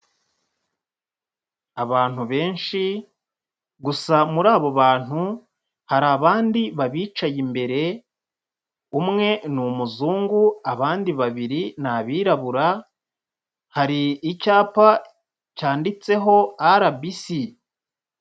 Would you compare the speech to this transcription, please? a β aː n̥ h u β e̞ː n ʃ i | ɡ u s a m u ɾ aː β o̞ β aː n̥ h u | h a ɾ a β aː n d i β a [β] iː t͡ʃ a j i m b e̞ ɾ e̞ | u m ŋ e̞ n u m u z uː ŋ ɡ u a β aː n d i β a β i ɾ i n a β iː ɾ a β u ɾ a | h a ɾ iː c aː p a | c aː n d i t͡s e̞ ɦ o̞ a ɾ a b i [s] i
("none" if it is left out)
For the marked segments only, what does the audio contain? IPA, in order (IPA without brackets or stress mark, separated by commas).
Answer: β, s